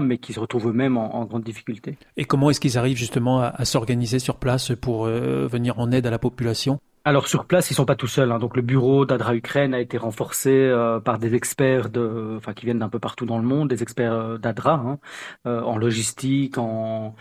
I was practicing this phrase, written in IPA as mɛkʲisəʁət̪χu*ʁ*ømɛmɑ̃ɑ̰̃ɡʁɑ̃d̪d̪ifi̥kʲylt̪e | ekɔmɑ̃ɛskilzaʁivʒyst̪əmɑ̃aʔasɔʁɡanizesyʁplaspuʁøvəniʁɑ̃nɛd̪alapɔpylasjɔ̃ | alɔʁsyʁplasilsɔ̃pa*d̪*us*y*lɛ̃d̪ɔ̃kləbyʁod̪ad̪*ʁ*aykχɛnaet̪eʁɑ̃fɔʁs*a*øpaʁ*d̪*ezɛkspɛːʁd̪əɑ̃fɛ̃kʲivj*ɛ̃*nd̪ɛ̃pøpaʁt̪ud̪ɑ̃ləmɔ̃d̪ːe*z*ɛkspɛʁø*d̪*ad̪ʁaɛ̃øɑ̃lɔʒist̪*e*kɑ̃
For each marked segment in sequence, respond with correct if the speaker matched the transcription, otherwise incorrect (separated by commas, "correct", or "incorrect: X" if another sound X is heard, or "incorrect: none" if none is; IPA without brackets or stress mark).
incorrect: v, incorrect: t̪, incorrect: œ, correct, incorrect: e, correct, incorrect: ɛ, correct, correct, incorrect: i